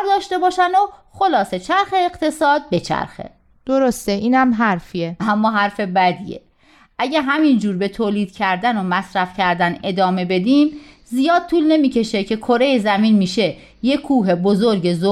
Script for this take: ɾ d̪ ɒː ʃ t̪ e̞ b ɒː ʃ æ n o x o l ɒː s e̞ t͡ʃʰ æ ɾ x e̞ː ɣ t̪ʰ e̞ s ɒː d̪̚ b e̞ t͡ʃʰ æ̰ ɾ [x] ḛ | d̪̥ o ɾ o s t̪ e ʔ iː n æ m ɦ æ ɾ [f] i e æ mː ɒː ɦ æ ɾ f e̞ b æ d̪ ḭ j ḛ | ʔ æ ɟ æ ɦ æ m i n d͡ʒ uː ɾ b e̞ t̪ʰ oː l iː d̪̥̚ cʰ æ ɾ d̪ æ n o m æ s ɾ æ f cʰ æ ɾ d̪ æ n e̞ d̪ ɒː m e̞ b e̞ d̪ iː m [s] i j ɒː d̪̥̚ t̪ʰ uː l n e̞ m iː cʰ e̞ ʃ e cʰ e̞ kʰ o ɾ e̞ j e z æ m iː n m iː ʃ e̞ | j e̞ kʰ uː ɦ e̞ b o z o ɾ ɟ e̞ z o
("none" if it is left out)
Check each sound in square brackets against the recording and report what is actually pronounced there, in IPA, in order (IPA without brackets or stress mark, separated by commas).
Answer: x, f, z